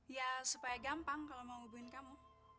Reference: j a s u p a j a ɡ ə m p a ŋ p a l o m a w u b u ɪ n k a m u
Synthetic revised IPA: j a s u p a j a ɡ a m p a ŋ k a l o m a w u b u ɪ n k a m u